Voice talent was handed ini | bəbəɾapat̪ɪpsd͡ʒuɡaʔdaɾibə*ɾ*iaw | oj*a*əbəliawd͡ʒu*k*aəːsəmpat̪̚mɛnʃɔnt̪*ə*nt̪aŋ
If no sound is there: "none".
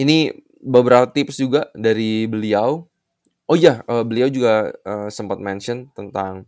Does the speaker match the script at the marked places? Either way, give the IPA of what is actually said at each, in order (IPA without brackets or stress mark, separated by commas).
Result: l, a, ɡ, ə